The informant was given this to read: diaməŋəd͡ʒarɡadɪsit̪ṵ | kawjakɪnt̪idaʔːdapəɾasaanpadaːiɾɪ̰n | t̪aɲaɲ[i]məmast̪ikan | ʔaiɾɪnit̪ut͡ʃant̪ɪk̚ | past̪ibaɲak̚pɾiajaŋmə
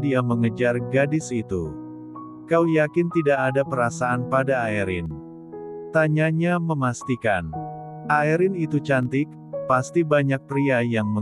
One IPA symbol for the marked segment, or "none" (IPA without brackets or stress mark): a